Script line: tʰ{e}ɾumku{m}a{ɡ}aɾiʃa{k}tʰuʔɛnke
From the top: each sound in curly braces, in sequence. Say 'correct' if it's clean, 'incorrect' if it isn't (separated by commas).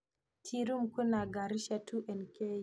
incorrect, incorrect, correct, incorrect